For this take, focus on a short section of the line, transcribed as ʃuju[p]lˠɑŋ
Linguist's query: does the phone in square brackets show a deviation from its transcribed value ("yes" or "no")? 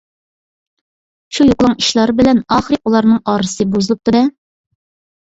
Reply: yes